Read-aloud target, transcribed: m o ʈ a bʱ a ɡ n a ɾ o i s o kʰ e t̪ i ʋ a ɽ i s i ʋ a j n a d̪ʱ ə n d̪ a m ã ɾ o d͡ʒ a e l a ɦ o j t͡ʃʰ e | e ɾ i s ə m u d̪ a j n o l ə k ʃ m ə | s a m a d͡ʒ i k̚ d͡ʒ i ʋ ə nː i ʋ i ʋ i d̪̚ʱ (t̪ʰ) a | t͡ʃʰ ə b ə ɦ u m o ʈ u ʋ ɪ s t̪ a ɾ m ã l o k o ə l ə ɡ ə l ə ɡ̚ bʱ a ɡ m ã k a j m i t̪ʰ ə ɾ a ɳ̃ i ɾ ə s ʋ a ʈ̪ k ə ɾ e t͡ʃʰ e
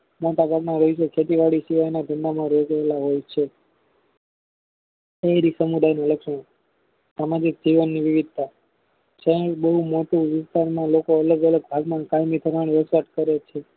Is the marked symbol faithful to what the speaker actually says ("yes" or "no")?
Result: no